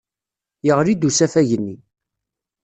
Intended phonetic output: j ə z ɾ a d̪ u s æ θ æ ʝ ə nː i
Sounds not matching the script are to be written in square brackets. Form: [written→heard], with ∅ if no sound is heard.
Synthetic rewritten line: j ə [z→ʁ] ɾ [a→i] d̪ u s æ [θ→f] æ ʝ ə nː i